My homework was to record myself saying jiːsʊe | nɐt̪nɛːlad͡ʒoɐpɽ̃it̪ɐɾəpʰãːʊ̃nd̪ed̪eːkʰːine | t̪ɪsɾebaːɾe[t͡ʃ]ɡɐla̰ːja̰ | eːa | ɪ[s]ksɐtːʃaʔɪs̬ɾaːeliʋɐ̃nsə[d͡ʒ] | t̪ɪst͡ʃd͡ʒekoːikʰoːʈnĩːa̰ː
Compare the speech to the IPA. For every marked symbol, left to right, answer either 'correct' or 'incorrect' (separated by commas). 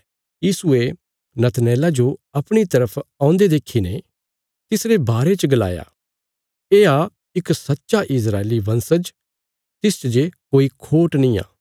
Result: correct, incorrect, correct